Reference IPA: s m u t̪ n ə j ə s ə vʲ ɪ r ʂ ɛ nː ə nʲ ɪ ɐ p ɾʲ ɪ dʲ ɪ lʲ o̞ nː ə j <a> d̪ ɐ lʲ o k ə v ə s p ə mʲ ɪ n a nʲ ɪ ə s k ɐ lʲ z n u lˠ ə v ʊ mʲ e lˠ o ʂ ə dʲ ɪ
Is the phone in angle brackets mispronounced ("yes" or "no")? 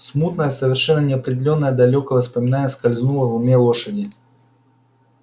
yes